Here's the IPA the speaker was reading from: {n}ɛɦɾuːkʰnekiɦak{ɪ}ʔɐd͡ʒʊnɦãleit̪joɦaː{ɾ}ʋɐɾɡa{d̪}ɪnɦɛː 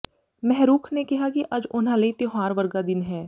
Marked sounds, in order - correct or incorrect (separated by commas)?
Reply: incorrect, incorrect, correct, correct